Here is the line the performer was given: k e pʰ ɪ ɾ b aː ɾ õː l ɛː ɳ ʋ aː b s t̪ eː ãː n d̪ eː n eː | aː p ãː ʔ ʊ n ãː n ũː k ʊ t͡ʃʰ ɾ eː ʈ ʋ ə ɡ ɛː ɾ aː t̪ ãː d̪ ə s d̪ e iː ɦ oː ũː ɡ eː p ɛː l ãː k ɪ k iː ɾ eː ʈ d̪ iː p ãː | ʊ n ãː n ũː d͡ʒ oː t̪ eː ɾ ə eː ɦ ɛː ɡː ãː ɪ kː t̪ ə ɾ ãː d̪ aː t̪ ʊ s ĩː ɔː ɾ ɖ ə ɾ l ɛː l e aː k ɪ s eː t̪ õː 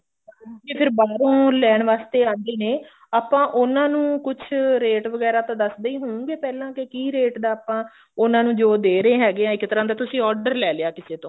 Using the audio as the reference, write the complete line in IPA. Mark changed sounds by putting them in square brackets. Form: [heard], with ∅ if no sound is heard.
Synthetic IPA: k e pʰ ɪ ɾ b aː ɾ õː l ɛː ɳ ʋ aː [∅] s t̪ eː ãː n d̪ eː n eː | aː p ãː ʔ ʊ n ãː n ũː k ʊ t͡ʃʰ ɾ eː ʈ ʋ ə ɡ ɛː ɾ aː t̪ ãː d̪ ə s d̪ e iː ɦ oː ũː ɡ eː p ɛː l ãː k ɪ k iː ɾ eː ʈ d̪ [aː] p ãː | ʊ n ãː n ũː d͡ʒ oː [d̪] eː ɾ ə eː ɦ ɛː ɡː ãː ɪ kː t̪ ə ɾ ãː d̪ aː t̪ ʊ s ĩː ɔː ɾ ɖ ə ɾ l ɛː l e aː k ɪ s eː t̪ õː